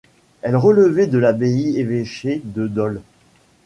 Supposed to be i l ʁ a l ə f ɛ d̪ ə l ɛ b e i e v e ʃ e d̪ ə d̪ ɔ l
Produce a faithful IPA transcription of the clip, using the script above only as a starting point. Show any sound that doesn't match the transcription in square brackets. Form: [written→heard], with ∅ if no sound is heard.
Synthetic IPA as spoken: [i→ɛ] l ʁ [a→ə] l ə [f→v] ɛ d̪ ə l [ɛ→a] b e i e v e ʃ e d̪ ə d̪ ɔ l